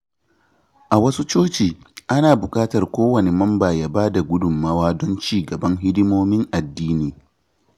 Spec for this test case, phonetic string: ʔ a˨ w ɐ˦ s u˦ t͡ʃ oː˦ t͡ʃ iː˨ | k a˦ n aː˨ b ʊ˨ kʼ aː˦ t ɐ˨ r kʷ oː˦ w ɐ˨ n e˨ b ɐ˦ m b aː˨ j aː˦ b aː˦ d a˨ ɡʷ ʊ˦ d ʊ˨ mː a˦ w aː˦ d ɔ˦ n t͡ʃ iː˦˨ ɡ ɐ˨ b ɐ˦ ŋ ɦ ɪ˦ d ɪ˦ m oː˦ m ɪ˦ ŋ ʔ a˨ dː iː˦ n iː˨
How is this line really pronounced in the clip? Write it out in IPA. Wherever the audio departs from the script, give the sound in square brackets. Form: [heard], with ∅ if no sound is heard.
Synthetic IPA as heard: ʔ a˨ w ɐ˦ s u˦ t͡ʃ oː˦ t͡ʃ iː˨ | [ʔ] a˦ n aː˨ b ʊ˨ kʼ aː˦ t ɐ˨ r kʷ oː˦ w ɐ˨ n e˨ [m] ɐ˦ m b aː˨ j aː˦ b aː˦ d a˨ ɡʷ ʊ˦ d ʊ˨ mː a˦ w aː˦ d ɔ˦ n t͡ʃ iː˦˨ ɡ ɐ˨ b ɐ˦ ŋ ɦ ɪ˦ d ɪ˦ m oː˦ m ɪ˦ ŋ ʔ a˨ dː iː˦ n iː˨